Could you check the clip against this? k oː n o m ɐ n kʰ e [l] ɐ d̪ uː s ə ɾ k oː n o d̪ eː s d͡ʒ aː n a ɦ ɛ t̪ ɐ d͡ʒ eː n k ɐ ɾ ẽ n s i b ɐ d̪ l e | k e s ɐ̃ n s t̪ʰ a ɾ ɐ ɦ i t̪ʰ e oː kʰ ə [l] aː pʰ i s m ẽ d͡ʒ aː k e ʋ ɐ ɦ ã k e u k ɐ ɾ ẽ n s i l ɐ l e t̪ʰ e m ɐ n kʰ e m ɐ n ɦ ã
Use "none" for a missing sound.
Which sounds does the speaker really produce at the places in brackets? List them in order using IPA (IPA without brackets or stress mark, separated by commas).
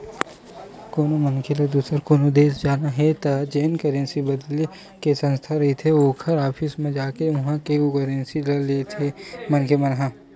l, ɾ